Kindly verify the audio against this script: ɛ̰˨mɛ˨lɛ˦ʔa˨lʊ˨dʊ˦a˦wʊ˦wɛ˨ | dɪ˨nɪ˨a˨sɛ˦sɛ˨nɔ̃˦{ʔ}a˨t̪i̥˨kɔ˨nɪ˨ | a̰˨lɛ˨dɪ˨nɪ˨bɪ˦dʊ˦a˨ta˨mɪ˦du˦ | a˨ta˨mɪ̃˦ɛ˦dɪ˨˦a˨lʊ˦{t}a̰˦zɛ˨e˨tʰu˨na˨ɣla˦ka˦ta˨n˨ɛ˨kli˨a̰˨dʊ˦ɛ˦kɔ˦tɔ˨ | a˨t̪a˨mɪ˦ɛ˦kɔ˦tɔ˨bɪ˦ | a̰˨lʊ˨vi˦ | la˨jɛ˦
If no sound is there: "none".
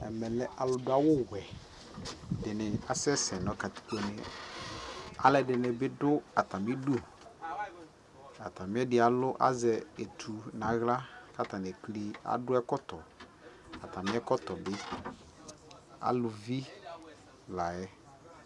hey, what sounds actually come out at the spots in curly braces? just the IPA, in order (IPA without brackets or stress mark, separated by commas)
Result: k, ʔ